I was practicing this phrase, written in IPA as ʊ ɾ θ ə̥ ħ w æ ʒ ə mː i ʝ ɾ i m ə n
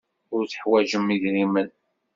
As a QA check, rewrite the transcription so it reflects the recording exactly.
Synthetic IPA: ʊ ɾ θ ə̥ ħ w æ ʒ ə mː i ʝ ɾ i m ə n